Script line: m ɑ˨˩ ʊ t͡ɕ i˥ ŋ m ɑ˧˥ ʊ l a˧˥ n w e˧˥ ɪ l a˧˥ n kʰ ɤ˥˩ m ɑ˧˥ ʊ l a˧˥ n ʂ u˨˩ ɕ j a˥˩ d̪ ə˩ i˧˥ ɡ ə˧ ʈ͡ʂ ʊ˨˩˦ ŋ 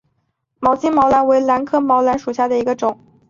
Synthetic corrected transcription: m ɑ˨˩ ʊ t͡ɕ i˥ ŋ m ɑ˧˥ ʊ l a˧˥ n w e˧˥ ɪ l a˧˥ n kʰ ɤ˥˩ m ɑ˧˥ ʊ l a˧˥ n ʂ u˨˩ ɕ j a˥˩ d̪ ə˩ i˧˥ ɡ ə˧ ʈ͡ʂ ʊ˨˩˦ ŋ